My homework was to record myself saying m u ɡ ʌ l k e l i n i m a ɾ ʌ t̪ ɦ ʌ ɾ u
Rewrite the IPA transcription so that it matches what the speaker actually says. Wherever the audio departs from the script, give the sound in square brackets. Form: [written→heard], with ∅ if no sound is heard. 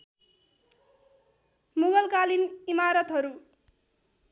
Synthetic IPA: m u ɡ ʌ l k [e→a] l i n i m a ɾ ʌ t̪ ɦ ʌ ɾ u